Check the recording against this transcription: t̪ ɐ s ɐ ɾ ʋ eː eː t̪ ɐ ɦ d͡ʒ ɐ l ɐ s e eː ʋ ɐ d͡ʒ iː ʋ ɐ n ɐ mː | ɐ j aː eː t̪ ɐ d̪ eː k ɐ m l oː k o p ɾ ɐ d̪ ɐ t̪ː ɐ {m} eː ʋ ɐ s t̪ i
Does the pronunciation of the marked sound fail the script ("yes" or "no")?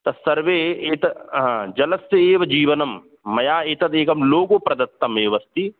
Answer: no